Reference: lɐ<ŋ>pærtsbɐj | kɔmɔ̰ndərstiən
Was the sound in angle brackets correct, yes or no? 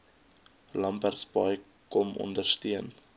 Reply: no